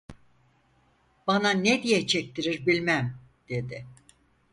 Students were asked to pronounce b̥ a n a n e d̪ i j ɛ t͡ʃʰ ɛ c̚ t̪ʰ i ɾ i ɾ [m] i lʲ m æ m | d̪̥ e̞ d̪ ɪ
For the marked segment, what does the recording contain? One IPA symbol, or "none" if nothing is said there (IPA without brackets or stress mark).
b